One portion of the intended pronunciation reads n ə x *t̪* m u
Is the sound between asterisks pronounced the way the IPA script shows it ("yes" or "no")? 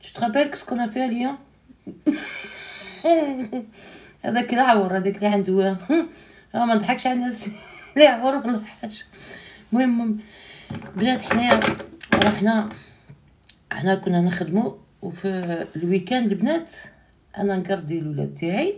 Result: no